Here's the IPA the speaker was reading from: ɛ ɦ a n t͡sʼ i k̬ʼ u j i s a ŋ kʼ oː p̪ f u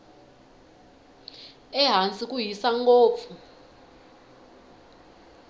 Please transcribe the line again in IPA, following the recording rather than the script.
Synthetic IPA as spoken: ɛ ɦ a n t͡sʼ i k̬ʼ u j i s a ŋ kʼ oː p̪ f u